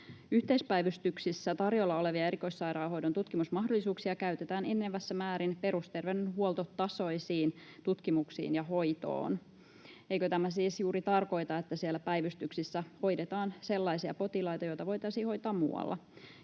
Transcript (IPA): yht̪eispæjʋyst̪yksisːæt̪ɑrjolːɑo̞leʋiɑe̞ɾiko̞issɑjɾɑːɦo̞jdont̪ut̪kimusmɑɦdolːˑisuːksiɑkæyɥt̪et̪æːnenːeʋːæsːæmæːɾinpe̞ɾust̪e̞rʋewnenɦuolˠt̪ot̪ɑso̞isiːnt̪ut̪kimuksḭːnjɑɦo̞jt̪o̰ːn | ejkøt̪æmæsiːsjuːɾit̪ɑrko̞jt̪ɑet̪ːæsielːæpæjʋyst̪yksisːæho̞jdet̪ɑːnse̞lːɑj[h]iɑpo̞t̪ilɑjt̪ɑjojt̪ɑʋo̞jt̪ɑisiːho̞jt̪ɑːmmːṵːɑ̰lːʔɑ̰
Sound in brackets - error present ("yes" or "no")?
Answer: yes